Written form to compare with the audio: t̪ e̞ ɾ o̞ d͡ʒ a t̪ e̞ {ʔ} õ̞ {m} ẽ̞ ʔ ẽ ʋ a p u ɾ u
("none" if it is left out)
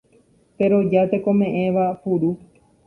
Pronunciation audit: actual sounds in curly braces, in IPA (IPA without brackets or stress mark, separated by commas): k, m